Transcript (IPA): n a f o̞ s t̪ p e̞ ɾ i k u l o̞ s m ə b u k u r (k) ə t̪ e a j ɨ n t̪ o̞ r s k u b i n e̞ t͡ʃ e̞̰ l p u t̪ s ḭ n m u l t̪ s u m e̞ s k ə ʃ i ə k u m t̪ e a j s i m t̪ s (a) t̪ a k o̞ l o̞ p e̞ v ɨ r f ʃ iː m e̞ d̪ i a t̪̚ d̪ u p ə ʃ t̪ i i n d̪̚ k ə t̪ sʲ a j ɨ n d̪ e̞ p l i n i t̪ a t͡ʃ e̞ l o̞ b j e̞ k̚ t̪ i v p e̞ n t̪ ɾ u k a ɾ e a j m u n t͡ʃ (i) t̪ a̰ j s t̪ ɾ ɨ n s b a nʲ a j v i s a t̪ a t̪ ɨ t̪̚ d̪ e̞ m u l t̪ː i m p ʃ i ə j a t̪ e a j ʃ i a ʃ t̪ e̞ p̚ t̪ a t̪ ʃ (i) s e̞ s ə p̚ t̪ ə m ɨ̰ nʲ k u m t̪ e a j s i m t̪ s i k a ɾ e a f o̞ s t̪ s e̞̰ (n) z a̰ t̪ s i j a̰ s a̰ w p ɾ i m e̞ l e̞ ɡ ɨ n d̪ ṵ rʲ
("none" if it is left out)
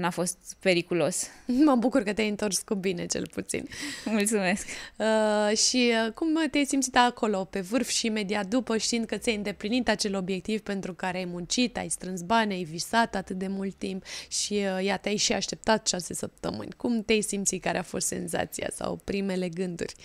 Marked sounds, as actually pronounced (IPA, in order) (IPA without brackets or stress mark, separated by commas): k, i, i, a, n